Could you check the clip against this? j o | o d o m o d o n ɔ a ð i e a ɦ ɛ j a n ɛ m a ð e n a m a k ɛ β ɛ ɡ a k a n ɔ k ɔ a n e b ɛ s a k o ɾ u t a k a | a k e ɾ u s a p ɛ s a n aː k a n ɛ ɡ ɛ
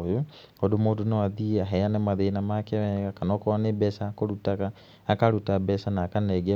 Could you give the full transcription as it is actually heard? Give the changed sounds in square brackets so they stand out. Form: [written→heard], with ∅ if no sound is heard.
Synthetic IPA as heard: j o | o d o m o d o n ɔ a ð i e a ɦ ɛ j a n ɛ m a ð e n a m a k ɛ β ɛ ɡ a k a n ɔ k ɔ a n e b ɛ s a k o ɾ u t a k a | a k [e→a] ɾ u [s→t] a [p→b] ɛ s a n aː k a n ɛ ɡ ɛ